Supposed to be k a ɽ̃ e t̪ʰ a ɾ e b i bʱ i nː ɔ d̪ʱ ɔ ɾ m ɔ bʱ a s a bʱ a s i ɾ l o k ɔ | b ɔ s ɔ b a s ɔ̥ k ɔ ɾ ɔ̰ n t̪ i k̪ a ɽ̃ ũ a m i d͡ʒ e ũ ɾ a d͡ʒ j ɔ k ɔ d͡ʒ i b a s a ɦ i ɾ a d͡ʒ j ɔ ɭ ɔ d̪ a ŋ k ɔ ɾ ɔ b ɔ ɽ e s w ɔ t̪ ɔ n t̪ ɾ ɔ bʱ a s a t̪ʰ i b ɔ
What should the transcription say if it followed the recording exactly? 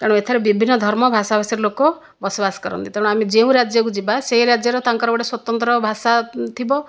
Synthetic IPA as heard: k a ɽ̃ e t̪ʰ a ɾ e b i bʱ i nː ɔ d̪ʱ ɔ ɾ m ɔ bʱ a s a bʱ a s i ɾ l o k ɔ | b ɔ s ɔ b a s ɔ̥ k ɔ ɾ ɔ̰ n t̪ i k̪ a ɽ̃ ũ a m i d͡ʒ e ũ ɾ a d͡ʒ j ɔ k u d͡ʒ i b a s e ɦ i ɾ a d͡ʒ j ɔ ɾ ɔ t̪ a ŋ k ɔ ɾ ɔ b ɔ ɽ e s w ɔ t̪ ɔ n t̪ ɾ ɔ bʱ a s a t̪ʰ i b ɔ